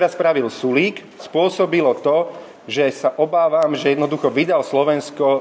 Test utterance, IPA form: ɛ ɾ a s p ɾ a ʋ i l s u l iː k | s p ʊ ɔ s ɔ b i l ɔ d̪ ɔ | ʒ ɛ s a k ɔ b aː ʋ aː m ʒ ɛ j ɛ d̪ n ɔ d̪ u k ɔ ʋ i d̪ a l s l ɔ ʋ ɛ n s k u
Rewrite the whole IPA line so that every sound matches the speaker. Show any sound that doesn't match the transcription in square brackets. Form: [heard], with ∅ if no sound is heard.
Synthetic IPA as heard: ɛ ɾ a s p ɾ a ʋ i l s u l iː k | s p ʊ ɔ s ɔ b i l ɔ [t̪] ɔ | ʒ ɛ s a [ʔ] ɔ b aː ʋ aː m ʒ ɛ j ɛ d̪ n ɔ d̪ u [x] ɔ ʋ i d̪ a l s l ɔ ʋ ɛ n s k [ɔ]